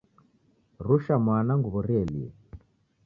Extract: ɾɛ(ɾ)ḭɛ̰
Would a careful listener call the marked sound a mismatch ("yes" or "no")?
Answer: yes